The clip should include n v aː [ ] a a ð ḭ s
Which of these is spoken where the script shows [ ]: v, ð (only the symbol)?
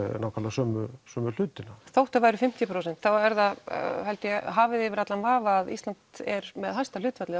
v